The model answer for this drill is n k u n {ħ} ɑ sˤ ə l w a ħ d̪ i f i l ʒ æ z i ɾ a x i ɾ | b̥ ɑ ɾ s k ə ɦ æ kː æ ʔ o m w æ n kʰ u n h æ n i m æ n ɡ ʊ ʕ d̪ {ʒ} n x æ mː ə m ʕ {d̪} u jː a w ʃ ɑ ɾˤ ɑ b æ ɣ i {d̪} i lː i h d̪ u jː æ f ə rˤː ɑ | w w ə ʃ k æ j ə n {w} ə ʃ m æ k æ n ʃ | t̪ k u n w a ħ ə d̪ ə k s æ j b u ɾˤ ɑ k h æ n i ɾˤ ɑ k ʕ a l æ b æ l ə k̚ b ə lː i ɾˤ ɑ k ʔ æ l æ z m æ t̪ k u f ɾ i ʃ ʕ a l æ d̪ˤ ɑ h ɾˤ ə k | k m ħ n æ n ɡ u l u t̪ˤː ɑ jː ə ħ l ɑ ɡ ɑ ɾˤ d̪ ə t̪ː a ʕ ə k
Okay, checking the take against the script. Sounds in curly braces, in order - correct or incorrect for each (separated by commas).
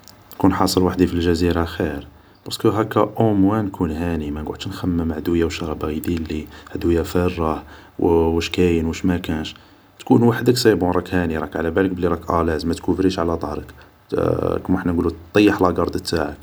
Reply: correct, incorrect, correct, correct, correct